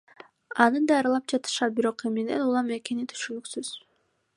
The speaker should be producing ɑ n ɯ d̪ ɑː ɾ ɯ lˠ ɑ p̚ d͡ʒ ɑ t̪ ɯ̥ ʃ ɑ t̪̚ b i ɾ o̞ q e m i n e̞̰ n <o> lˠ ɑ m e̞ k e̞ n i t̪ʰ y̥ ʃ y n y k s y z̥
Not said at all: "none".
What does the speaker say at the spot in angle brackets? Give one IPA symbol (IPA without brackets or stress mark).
u